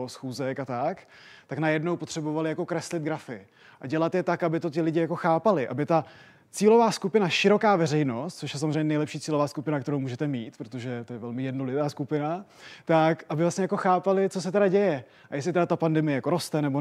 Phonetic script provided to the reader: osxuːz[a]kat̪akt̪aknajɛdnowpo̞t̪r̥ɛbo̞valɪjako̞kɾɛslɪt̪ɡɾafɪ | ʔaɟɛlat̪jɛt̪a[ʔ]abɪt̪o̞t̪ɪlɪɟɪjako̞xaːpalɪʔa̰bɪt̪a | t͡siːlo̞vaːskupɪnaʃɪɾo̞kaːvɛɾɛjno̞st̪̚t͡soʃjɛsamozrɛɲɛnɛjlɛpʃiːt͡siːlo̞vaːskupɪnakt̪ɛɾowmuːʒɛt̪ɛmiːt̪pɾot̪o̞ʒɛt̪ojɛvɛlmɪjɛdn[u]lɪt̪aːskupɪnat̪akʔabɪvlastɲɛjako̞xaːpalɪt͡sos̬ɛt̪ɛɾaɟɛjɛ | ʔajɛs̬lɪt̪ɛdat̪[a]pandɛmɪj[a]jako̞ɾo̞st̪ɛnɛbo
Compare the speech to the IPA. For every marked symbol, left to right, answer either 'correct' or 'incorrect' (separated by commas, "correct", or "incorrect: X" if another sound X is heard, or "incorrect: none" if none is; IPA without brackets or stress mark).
incorrect: ɛ, incorrect: k, incorrect: o, correct, incorrect: ɛ